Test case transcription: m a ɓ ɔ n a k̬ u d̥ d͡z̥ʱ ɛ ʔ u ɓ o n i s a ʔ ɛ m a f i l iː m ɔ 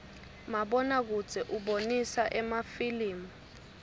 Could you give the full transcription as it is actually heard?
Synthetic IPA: m a ɓ ɔ n a k̬ u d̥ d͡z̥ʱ ɛ ʔ u ɓ o n i s a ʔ ɛ m a f i l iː m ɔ